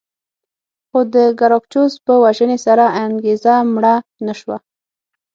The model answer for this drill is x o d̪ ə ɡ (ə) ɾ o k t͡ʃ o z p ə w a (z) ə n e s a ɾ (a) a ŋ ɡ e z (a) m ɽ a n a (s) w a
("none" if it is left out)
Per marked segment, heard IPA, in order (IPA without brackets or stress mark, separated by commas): a, ʒ, a, a, ʃ